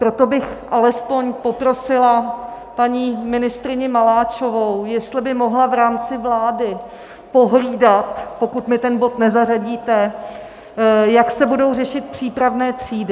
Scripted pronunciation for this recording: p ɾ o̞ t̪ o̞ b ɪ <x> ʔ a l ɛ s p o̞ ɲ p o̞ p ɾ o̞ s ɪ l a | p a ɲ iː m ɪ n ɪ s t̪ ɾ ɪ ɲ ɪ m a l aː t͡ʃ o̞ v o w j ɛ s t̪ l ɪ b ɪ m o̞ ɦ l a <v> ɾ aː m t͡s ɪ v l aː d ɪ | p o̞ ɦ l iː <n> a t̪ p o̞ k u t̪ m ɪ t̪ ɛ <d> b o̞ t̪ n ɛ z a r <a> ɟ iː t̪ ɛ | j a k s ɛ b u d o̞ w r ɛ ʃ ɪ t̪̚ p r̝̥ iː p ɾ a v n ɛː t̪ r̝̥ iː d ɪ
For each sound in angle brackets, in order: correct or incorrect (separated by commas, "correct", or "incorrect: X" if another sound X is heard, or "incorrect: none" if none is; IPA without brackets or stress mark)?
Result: correct, correct, incorrect: d, incorrect: n, correct